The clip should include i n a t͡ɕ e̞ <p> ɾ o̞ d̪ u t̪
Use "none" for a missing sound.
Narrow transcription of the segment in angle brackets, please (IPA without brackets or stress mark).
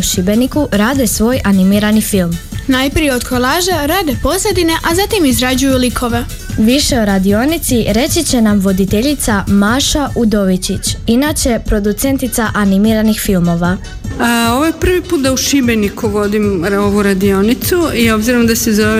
p